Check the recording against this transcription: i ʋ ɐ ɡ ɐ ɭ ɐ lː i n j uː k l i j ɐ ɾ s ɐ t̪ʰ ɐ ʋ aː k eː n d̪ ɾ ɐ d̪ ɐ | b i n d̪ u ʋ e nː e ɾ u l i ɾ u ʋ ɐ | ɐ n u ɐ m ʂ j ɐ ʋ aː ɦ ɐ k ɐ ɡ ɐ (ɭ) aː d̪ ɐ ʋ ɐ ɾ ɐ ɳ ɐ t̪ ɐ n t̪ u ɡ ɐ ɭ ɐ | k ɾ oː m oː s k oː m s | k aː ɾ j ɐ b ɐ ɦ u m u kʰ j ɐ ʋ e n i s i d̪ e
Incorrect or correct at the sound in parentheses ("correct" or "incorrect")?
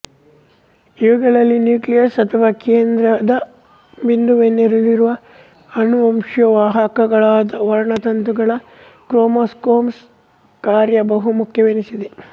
correct